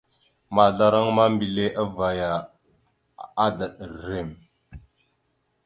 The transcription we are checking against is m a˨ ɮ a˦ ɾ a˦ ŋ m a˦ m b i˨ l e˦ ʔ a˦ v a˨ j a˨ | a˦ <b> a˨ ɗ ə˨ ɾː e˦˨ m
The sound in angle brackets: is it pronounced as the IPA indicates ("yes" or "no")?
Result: no